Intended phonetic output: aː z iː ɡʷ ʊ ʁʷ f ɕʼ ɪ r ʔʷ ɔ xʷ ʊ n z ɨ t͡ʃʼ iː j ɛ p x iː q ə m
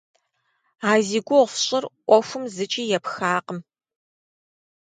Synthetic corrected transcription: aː z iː ɡʷ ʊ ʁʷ f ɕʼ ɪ r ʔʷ ɔ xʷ ʊ m z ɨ t͡ʃʼ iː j ɛ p x aː q ə m